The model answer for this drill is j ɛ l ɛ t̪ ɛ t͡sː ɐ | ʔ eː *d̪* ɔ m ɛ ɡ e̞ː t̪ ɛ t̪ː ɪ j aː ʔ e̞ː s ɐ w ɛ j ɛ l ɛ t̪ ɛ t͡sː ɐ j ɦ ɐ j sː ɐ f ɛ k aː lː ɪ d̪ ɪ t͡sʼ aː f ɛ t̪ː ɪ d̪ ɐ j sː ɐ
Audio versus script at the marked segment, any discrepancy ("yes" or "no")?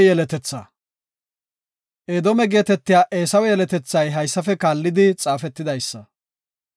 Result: no